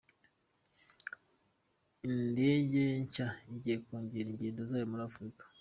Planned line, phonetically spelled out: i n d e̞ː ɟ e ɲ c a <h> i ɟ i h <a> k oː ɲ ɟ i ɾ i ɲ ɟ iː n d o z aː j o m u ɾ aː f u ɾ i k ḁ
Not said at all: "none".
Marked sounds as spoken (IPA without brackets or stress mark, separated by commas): none, e